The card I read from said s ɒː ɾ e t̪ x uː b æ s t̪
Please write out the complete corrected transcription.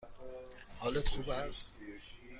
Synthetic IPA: h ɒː l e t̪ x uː b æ s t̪